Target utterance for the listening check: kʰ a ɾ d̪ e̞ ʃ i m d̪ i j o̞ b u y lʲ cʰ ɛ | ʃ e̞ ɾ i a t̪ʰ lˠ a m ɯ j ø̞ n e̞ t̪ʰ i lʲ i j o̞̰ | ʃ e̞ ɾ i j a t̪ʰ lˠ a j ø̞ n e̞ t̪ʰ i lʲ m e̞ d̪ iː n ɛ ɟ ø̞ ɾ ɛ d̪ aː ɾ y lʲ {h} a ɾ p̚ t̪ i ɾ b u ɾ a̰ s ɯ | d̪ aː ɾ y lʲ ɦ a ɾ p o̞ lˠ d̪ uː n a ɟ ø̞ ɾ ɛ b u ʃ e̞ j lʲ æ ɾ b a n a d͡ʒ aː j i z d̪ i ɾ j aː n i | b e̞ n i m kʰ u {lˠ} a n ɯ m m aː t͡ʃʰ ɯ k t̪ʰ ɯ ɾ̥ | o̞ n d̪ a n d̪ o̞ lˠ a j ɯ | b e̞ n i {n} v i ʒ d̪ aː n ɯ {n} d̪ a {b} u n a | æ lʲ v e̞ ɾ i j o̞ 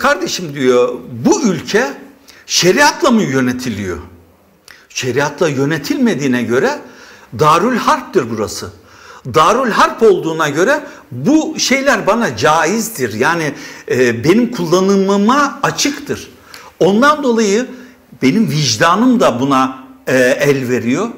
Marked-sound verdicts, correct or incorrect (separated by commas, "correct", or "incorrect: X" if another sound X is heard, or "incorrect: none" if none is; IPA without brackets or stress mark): correct, incorrect: lˠː, incorrect: m, incorrect: m, correct